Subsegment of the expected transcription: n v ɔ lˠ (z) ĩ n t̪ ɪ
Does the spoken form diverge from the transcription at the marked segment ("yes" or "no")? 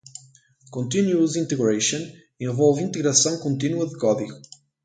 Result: yes